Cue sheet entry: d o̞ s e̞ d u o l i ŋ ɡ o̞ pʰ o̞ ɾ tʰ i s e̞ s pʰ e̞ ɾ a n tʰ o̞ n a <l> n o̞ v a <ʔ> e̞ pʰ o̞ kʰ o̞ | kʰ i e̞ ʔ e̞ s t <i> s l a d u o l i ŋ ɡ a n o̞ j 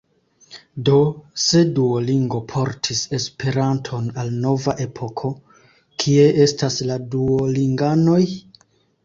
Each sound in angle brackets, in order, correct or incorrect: correct, correct, incorrect

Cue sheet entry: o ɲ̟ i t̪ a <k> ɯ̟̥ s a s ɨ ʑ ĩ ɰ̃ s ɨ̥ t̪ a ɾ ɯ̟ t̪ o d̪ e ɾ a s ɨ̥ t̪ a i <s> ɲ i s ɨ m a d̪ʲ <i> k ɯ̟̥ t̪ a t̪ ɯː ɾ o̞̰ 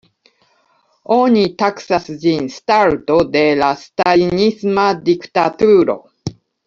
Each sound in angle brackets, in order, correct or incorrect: correct, incorrect, correct

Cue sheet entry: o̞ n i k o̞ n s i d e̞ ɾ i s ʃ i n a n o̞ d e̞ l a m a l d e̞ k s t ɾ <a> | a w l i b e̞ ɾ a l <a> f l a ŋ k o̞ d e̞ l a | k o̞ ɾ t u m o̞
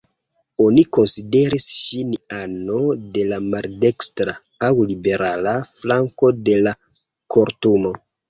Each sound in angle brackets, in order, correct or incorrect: correct, correct

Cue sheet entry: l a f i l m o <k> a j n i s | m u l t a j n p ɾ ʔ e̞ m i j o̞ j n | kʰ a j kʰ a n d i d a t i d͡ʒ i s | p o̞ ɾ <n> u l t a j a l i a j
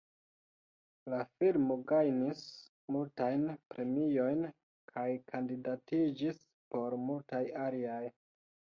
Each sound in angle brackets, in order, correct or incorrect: incorrect, incorrect

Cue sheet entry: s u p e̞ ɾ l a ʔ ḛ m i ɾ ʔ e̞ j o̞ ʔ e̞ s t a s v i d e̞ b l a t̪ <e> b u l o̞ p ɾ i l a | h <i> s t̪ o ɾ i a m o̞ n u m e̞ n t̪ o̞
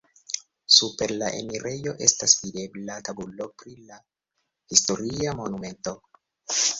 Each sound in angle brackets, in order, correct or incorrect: incorrect, correct

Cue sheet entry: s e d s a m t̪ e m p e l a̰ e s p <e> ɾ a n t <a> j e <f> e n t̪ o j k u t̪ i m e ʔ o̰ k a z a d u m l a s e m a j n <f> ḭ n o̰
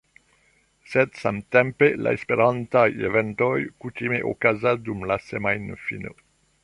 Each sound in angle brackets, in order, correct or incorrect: correct, correct, incorrect, correct

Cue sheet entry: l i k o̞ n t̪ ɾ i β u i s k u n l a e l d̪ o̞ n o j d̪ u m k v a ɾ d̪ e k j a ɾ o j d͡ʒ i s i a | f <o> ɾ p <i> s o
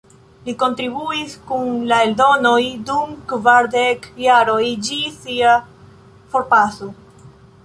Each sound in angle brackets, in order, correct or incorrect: correct, incorrect

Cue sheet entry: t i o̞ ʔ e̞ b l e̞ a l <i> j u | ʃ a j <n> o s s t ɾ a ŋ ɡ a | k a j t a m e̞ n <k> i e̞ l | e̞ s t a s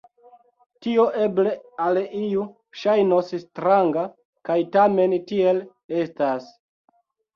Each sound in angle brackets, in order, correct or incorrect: correct, correct, incorrect

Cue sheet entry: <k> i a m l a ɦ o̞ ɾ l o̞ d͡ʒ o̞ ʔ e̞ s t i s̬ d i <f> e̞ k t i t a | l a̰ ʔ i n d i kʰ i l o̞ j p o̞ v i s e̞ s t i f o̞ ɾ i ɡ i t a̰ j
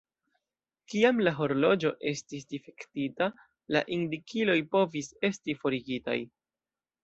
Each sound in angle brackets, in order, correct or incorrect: correct, correct

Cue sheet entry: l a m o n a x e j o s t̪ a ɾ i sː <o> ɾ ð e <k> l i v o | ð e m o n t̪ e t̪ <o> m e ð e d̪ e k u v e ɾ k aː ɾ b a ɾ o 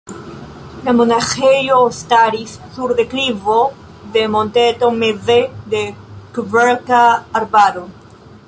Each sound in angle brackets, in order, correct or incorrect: incorrect, correct, correct

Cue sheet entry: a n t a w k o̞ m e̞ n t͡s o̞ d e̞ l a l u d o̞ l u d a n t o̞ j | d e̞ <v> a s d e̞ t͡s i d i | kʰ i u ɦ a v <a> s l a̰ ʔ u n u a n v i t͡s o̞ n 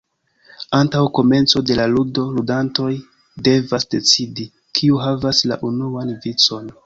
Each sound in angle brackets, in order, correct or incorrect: correct, correct

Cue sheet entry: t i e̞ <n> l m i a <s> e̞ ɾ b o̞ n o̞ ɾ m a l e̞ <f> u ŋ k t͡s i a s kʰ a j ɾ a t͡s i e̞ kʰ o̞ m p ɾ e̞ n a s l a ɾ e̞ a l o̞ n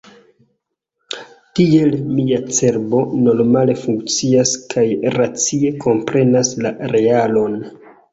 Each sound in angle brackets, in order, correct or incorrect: incorrect, incorrect, correct

